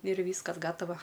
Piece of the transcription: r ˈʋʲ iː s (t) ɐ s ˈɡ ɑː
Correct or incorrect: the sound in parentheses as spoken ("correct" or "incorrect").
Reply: incorrect